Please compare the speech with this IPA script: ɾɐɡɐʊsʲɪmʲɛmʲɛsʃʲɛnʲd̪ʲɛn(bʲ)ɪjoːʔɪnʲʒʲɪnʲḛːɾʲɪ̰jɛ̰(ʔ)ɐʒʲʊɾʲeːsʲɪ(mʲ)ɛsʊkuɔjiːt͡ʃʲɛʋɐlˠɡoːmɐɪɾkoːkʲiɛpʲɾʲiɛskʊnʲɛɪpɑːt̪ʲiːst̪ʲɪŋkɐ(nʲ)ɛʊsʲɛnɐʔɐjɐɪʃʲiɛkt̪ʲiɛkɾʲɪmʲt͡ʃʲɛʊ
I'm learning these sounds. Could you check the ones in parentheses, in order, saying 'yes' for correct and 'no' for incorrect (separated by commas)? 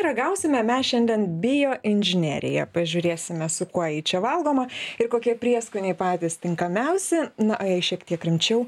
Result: yes, no, yes, no